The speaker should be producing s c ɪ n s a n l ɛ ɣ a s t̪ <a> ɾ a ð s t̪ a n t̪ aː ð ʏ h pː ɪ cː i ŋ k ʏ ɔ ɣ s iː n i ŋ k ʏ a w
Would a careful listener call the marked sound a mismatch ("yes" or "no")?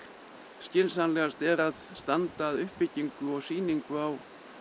yes